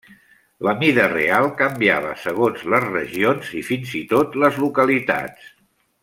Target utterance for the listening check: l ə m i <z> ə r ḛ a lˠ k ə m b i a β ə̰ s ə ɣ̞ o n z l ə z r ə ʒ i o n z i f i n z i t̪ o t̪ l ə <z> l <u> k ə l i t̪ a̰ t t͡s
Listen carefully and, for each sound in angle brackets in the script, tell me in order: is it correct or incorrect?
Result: incorrect: ð, correct, correct

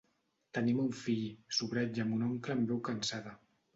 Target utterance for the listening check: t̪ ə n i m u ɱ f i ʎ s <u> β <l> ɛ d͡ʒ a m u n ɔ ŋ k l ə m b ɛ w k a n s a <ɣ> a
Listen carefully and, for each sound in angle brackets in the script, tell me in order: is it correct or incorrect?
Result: correct, incorrect: ɾ, incorrect: ð

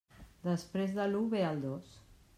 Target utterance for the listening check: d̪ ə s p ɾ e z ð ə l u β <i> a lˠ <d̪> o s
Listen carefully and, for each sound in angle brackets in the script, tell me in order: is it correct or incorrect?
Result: incorrect: e, correct

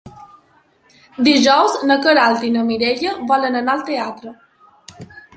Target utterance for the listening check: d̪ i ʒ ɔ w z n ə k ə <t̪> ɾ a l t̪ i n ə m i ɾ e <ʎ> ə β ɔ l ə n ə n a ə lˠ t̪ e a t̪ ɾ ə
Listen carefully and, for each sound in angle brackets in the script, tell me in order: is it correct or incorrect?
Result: incorrect: none, correct

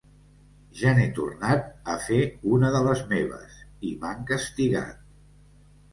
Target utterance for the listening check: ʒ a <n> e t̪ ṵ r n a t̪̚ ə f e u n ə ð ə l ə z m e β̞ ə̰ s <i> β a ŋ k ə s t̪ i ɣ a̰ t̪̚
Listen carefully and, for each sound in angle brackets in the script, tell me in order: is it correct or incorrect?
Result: correct, correct

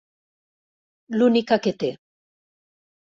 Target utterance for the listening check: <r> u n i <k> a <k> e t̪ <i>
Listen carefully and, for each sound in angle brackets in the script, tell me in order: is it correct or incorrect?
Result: incorrect: l, correct, correct, incorrect: e

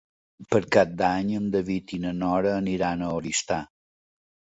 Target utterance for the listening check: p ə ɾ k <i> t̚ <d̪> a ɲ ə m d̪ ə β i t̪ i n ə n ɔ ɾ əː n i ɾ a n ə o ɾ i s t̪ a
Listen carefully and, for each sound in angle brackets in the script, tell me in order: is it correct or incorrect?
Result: incorrect: a, correct

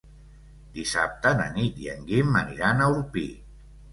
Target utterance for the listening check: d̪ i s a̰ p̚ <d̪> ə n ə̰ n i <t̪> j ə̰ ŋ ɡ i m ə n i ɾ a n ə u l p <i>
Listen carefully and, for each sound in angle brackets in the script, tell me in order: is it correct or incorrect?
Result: incorrect: t̪, correct, correct

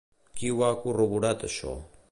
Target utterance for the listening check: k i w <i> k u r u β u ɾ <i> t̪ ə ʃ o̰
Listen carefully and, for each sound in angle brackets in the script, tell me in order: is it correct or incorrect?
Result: incorrect: a, incorrect: a

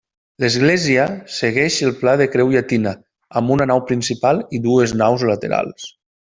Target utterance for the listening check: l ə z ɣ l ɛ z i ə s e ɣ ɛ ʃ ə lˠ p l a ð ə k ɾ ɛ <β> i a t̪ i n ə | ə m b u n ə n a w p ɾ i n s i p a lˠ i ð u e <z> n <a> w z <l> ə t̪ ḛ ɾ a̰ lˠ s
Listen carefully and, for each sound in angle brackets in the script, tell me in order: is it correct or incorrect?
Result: incorrect: w, correct, correct, correct

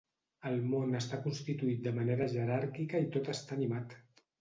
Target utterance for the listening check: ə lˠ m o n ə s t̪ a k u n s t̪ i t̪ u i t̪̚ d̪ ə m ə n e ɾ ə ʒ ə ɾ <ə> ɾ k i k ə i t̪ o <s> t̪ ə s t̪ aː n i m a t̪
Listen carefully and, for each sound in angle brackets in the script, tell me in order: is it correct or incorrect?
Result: incorrect: a, incorrect: none

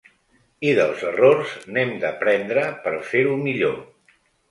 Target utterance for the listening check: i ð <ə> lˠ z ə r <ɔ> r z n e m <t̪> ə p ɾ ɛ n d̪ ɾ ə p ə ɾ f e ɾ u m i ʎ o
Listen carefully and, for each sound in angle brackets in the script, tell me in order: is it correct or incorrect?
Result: correct, incorrect: o, incorrect: d̪

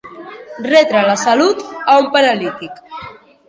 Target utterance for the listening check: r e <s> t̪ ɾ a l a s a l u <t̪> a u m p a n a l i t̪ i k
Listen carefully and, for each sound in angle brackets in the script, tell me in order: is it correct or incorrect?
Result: incorrect: none, correct

